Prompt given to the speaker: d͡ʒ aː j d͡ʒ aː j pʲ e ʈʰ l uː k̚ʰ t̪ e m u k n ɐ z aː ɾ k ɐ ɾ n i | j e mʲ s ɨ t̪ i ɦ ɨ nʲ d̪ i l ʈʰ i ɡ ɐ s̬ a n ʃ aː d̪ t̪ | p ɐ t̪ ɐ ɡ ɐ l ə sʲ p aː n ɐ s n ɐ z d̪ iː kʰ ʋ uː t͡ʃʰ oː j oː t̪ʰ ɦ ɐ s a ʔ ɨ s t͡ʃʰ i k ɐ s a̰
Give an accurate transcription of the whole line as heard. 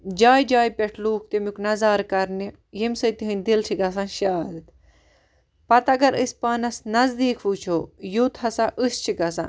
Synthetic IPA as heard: d͡ʒ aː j d͡ʒ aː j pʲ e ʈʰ l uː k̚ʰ t̪ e m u k n ɐ z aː ɾ k ɐ ɾ n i | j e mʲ s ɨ t̪ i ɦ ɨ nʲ d̪ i l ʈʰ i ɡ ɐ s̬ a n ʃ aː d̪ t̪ | p ɐ t̪ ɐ ɡ ɐ ɾ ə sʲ p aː n ɐ s n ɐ z d̪ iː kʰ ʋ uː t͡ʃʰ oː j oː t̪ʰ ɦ ɐ s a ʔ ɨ s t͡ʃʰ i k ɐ s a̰